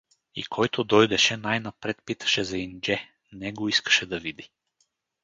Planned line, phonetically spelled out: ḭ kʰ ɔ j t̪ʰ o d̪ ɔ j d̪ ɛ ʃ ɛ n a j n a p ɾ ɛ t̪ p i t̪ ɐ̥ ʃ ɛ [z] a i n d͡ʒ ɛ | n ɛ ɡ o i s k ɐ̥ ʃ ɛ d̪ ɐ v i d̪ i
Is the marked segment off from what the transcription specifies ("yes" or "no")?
no